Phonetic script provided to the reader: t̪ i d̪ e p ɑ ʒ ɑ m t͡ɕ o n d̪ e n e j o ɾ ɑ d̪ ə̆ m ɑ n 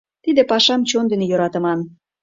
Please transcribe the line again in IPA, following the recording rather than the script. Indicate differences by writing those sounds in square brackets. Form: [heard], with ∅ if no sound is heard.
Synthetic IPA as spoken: t̪ i d̪ e p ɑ [ʃ] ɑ m t͡ɕ o n d̪ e n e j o ɾ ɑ [t̪] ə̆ m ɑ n